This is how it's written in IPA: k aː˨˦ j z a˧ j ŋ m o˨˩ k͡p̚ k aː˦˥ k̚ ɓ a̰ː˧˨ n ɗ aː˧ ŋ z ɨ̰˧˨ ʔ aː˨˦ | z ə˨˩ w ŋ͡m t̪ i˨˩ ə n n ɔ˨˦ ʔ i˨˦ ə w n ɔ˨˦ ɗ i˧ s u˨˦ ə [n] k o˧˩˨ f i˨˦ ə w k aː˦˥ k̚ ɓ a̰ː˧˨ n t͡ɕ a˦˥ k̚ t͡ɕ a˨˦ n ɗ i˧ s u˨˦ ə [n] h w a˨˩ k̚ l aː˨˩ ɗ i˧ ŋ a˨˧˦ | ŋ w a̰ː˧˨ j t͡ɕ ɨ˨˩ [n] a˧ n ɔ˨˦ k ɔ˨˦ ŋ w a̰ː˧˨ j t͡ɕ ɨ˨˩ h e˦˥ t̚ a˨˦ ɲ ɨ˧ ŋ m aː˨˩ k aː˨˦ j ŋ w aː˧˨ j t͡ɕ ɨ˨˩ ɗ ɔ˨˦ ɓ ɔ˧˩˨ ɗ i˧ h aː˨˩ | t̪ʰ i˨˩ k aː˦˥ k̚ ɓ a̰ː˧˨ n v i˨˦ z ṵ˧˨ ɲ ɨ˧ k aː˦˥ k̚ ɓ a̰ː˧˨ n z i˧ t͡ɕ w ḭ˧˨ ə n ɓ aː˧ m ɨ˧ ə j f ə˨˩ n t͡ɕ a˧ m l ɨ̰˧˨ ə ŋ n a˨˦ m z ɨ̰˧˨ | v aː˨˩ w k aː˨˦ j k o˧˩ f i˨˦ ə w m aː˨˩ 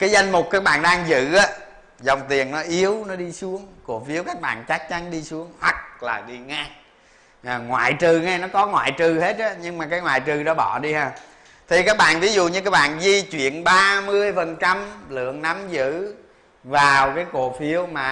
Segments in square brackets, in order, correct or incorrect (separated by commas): incorrect, incorrect, incorrect